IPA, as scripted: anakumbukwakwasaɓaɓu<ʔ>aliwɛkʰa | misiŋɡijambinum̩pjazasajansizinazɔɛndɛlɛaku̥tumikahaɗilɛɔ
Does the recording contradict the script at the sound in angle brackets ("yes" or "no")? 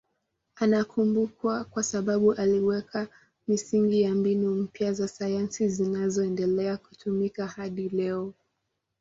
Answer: no